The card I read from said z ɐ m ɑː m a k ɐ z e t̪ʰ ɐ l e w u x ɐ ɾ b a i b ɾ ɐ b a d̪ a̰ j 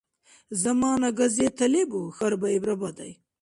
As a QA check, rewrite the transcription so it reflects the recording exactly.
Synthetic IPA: z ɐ m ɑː n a ɡ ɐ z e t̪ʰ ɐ l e b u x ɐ ɾ b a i b ɾ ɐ b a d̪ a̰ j